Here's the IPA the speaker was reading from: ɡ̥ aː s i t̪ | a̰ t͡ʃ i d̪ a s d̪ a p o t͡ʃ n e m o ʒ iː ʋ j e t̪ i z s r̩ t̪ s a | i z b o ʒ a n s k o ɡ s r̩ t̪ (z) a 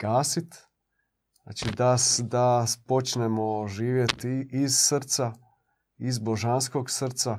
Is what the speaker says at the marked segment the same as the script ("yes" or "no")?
no